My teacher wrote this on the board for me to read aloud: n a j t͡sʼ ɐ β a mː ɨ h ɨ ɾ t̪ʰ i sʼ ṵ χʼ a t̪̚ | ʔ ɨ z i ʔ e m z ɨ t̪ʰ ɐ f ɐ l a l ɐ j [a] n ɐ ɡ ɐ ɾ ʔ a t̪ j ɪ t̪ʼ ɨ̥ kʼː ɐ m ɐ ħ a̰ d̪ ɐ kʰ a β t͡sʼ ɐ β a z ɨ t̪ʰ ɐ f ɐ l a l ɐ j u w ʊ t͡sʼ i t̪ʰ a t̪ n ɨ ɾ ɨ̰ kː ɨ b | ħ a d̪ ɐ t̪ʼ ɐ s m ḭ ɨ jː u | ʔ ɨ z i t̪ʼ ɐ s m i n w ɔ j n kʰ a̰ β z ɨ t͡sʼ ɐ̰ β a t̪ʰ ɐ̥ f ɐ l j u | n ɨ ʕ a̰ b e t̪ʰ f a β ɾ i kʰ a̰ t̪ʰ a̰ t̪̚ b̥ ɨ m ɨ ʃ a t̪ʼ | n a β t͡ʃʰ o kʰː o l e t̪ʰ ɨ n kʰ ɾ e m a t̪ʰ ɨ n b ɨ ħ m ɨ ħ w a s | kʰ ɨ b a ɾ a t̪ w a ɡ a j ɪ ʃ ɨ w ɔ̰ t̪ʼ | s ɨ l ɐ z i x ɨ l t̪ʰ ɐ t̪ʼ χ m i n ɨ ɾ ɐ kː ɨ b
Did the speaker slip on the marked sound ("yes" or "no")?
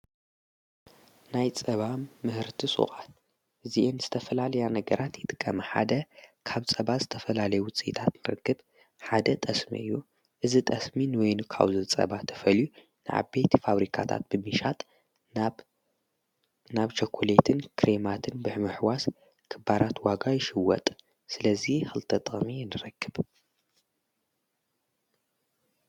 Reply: no